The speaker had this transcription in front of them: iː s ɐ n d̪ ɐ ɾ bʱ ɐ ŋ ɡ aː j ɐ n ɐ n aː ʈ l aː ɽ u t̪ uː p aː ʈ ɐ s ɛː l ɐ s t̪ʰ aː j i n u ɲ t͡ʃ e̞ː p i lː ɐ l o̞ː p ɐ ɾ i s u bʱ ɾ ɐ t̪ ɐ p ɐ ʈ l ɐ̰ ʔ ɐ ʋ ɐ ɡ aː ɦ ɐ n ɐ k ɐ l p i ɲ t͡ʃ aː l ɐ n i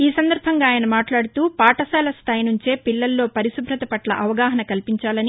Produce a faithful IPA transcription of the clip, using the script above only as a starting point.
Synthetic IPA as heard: iː s ɐ n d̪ ɐ ɾ bʱ ɐ ŋ ɡ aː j ɐ n ɐ m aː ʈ l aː ɽ u t̪ uː p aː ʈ ɐ s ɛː l ɐ s t̪ʰ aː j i n u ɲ t͡ʃ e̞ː p i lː ɐ lː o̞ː p ɐ ɾ i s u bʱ ɾ ɐ t̪ ɐ p ɐ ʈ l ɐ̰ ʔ ɐ ʋ ɐ ɡ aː ɦ ɐ n ɐ k ɐ l p i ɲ t͡ʃ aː l ɐ n i